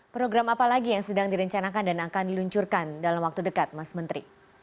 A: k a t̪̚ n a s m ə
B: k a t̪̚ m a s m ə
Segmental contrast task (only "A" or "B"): B